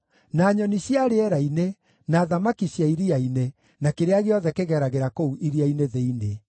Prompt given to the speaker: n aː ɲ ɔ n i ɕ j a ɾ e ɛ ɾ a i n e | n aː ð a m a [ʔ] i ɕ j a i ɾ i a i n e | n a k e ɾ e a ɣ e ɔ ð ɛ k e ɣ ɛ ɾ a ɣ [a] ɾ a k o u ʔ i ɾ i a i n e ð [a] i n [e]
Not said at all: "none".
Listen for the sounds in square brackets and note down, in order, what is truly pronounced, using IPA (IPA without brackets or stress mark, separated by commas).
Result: k, e, e, e